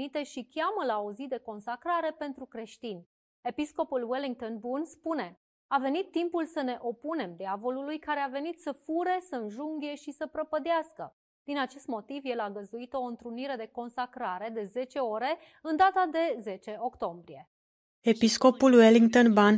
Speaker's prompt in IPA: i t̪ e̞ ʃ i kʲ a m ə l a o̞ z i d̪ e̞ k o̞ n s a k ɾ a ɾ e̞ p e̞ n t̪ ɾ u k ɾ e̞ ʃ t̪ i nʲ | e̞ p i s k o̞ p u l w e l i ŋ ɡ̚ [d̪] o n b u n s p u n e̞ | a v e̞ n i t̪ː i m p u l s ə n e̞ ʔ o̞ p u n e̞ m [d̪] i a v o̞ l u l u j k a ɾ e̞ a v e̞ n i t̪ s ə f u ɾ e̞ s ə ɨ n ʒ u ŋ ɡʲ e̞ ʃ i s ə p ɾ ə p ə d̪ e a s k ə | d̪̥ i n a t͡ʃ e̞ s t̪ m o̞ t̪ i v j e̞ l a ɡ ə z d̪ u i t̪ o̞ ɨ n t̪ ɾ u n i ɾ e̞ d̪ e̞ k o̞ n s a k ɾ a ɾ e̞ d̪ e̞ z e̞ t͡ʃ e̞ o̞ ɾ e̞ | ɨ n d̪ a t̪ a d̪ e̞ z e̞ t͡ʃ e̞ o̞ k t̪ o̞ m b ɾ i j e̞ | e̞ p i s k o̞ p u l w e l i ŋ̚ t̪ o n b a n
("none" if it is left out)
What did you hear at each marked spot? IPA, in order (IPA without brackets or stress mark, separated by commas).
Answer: t̪, d̪